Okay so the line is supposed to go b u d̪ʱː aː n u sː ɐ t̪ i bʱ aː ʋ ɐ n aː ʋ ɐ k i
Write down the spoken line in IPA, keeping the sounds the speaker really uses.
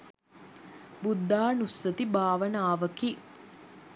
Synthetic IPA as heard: b u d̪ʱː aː n u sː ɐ t̪ i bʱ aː ʋ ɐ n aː ʋ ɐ k i